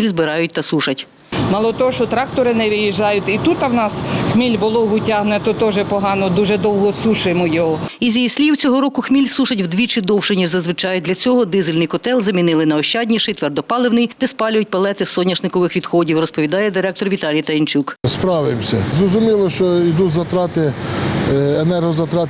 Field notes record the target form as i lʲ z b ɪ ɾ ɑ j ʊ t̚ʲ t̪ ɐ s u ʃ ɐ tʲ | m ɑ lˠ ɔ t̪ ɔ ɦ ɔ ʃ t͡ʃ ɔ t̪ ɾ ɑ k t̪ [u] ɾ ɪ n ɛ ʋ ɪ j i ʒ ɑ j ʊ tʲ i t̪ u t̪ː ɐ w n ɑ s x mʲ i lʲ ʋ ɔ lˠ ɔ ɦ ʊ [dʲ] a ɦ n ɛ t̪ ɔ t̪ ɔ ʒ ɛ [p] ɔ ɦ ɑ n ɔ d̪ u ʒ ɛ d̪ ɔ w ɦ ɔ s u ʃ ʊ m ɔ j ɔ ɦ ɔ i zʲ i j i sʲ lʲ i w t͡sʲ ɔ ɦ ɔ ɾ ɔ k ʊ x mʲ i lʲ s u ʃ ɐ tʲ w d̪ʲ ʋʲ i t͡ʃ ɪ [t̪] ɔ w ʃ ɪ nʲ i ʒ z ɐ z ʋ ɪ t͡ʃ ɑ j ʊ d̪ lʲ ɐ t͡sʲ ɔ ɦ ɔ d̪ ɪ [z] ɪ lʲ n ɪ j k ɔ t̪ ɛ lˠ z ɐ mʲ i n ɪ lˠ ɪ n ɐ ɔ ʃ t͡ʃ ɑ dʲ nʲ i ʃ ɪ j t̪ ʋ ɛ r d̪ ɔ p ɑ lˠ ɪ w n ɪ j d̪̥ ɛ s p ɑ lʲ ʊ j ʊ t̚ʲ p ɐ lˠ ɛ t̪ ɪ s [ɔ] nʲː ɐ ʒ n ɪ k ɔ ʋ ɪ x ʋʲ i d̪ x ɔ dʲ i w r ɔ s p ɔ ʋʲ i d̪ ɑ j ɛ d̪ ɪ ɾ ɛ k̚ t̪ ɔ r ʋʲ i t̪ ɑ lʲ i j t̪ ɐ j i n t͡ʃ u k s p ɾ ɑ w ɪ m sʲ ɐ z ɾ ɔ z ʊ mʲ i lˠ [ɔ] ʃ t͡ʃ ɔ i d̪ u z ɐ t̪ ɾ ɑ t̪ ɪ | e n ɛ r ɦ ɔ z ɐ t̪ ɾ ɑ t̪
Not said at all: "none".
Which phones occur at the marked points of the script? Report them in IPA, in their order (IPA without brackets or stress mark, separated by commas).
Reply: ɔ, tʲ, p, d̪, z, ɔ, ɔ